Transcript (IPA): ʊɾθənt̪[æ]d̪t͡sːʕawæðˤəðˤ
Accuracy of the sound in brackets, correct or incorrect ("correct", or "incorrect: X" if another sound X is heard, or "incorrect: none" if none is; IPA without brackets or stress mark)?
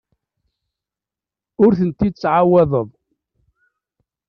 incorrect: i